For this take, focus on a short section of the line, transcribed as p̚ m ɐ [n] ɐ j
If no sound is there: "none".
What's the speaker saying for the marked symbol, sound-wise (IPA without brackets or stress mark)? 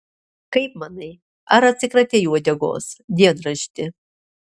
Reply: n